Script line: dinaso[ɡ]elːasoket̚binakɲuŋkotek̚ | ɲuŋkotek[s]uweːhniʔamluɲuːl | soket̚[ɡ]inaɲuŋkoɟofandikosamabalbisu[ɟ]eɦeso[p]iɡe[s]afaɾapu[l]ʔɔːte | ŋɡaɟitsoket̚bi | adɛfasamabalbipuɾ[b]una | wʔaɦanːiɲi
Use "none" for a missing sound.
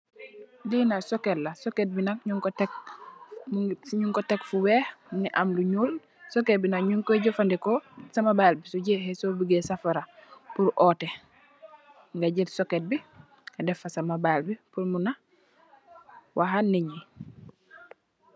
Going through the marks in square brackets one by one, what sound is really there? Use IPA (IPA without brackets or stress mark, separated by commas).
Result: k, f, b, ɟ, b, s, ɾ, m